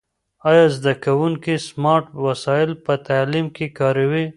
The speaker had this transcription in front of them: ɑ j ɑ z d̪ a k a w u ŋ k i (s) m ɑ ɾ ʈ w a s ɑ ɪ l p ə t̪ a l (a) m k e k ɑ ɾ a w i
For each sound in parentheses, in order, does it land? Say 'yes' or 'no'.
yes, no

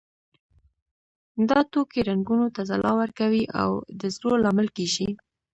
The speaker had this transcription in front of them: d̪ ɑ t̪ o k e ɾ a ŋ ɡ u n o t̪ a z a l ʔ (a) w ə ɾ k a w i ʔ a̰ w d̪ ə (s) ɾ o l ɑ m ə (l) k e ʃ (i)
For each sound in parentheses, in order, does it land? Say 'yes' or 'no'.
no, no, yes, yes

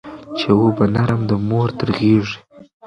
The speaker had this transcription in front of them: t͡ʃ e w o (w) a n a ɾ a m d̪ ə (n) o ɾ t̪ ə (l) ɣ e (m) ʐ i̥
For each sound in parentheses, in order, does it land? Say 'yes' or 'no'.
no, no, no, no

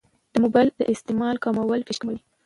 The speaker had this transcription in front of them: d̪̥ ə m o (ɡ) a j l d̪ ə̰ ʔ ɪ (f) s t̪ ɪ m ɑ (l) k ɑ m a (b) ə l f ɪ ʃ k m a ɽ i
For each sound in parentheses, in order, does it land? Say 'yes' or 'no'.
no, no, yes, no

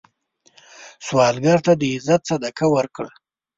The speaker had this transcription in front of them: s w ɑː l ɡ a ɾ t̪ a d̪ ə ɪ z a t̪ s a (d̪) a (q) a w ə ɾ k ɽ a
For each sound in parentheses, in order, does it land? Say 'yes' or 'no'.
yes, no

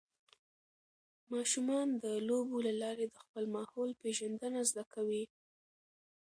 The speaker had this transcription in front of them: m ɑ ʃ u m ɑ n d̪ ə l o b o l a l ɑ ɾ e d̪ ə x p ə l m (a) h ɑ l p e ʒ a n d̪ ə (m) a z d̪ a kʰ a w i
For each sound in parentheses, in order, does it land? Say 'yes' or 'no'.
no, no

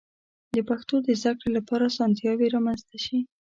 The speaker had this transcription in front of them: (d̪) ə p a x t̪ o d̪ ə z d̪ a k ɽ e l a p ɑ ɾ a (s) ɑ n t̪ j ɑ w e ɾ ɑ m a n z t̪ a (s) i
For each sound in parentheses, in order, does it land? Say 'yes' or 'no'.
yes, yes, no

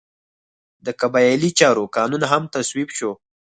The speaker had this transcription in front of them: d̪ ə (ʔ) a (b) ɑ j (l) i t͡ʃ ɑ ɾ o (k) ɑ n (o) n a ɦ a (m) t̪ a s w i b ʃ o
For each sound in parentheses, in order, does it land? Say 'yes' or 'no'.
no, yes, yes, yes, no, yes

